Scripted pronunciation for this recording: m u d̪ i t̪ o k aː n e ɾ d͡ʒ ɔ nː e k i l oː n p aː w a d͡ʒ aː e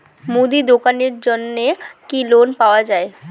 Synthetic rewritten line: m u d̪ i d̪ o k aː n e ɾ d͡ʒ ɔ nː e k i l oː n p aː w a d͡ʒ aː e